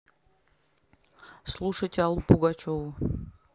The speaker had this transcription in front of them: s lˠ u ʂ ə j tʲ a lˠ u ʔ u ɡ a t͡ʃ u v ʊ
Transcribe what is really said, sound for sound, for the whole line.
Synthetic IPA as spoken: s lˠ u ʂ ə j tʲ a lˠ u p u ɡ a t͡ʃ o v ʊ